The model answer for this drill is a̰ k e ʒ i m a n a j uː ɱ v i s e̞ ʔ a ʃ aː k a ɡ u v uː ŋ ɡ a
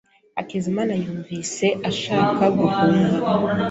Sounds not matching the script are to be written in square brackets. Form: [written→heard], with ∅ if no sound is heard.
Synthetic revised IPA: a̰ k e [ʒ→z] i m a n a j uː ɱ v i s e̞ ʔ a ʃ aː k a ɡ u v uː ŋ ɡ a